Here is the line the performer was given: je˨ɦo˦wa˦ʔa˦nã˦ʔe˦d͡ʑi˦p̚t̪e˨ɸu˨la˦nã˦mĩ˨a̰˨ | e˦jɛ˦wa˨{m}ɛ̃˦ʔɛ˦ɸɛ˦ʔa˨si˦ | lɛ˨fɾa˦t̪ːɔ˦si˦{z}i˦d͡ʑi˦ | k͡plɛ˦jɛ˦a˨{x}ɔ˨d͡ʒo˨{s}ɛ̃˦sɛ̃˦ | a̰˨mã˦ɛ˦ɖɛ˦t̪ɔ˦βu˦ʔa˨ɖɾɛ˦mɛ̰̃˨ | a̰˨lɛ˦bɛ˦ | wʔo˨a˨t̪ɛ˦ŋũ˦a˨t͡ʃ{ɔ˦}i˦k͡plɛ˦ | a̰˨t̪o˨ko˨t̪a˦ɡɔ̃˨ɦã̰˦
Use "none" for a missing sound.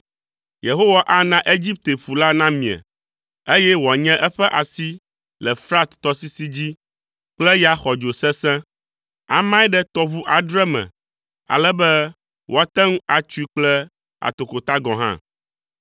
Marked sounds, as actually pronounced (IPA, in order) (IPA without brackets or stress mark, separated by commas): ɲ, s, x, s, u˦